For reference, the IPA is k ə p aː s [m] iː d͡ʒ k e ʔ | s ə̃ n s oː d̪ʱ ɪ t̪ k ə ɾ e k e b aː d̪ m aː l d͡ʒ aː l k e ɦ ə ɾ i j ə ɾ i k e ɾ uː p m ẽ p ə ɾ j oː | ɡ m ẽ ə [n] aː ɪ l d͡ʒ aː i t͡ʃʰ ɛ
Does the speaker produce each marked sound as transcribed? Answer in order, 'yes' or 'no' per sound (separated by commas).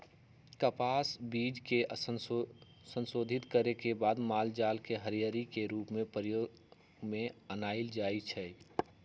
no, yes